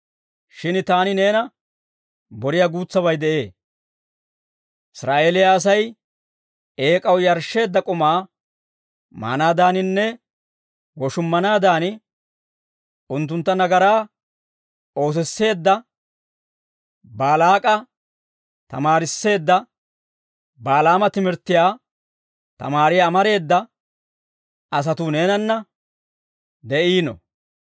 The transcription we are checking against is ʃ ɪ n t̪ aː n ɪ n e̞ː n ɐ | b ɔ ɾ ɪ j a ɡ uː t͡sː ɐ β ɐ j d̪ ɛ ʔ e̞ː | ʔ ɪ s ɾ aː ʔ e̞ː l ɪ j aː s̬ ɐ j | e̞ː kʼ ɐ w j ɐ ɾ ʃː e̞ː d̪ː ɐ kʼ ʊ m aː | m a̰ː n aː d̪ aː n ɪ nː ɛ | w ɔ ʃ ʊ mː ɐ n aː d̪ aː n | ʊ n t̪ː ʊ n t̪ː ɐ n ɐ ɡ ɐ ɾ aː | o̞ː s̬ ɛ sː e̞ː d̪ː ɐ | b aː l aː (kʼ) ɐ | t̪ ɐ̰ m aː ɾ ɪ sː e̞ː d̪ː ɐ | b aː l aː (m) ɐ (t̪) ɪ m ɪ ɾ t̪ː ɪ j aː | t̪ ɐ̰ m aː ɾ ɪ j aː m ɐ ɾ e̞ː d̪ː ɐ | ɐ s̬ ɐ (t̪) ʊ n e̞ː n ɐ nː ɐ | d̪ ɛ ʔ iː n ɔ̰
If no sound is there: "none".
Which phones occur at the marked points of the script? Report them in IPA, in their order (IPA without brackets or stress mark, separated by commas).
kʼ, m, t̪, t̪